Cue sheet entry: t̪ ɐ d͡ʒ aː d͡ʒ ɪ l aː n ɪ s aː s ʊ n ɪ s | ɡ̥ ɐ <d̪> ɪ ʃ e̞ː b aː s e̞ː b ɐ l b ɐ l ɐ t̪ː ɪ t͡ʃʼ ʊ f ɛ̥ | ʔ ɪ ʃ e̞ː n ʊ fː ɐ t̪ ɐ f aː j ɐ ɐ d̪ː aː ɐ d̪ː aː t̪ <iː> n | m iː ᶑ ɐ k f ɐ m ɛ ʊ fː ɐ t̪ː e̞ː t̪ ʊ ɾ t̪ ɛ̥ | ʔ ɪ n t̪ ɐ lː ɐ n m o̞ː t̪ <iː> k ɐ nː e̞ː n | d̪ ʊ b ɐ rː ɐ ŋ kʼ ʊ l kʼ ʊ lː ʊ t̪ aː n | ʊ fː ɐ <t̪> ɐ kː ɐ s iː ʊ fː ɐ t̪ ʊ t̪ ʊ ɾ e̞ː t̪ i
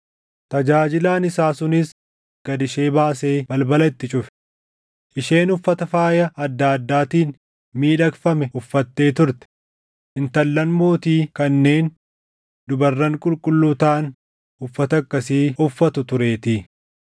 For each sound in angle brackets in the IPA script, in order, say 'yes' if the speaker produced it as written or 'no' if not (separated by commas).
yes, yes, yes, yes